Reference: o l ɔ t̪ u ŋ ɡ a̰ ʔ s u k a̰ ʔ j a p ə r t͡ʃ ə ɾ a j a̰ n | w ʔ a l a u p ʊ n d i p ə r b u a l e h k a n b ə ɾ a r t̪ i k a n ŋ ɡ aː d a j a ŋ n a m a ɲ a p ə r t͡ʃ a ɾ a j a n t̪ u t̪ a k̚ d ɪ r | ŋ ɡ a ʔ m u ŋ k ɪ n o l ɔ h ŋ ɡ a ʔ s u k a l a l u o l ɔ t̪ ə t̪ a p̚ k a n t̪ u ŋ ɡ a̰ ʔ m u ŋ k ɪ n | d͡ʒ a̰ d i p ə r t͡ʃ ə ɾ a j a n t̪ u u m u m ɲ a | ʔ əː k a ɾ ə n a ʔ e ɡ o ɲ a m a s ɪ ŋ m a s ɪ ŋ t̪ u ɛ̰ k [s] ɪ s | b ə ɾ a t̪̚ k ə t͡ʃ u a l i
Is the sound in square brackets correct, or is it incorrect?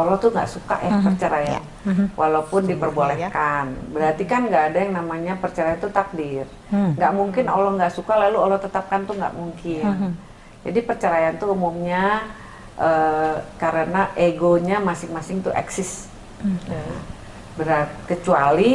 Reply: correct